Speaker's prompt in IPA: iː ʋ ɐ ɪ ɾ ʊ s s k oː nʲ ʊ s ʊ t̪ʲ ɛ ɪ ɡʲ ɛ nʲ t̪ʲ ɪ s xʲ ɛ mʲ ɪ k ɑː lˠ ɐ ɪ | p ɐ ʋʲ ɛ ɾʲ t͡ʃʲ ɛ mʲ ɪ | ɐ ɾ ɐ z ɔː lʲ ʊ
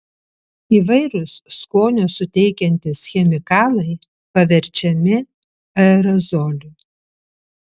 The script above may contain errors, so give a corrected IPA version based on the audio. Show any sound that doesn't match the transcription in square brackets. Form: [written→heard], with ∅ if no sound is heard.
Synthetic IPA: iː ʋ ɐ ɪ ɾ ʊ s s k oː nʲ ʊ s ʊ t̪ʲ ɛ ɪ [ɡʲ→kʲ] ɛ nʲ t̪ʲ ɪ s xʲ ɛ mʲ ɪ k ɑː lˠ ɐ ɪ | p ɐ ʋʲ ɛ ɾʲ t͡ʃʲ ɛ mʲ ɪ | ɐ ɾ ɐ z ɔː lʲ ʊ